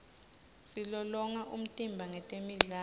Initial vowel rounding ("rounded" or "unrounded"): unrounded